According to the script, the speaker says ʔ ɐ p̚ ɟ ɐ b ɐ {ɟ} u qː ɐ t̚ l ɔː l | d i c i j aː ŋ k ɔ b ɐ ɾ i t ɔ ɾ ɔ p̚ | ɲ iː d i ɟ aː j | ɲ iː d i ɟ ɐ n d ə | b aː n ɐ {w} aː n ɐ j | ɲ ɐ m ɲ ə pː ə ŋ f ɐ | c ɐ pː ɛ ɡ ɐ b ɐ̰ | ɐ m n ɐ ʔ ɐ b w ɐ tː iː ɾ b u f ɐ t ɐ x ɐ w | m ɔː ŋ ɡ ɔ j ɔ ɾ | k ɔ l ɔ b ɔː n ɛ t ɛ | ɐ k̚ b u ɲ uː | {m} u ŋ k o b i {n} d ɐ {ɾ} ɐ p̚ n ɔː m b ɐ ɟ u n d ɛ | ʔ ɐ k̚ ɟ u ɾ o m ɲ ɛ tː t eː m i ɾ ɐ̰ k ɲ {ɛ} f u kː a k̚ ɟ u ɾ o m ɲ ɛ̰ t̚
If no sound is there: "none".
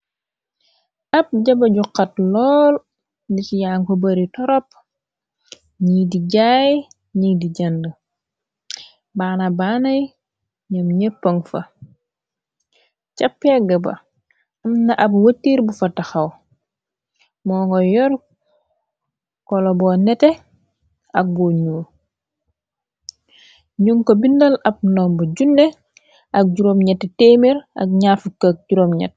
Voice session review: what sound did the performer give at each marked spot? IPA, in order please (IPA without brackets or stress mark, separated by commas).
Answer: ɟ, b, ɲ, n, l, a